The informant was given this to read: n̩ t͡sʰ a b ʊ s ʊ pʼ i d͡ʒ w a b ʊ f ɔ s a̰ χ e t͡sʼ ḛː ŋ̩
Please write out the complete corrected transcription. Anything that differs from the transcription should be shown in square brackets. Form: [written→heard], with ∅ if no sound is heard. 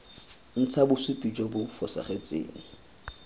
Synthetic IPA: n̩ t͡sʰ a b ʊ s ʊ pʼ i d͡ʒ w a b ʊ f ɔ s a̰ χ e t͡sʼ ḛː ŋ̩